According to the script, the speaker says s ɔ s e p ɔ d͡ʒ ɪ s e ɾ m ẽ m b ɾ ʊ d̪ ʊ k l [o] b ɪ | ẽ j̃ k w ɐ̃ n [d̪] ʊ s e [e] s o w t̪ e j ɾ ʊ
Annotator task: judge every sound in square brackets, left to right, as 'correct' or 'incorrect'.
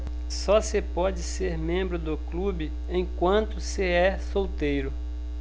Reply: incorrect: u, incorrect: t̪, incorrect: ɛ

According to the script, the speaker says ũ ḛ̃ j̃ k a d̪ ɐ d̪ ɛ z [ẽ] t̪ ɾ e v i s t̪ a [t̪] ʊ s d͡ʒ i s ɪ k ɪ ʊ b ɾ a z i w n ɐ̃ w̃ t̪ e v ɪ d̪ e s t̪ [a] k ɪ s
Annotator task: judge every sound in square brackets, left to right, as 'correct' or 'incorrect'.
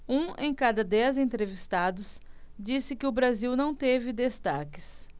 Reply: correct, incorrect: d̪, correct

